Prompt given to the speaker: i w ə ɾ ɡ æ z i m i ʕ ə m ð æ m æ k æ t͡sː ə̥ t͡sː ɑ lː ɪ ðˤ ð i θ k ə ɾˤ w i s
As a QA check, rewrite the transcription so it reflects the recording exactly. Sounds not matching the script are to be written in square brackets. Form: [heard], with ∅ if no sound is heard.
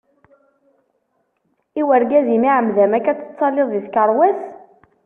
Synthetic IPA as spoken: i w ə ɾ ɡ æ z i m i ʕ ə m ð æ m æ k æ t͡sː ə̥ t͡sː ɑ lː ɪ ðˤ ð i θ k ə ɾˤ w [æ] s